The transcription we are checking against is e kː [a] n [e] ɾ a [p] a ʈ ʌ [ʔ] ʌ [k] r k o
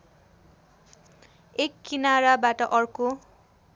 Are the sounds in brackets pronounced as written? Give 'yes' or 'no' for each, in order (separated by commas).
no, no, no, yes, no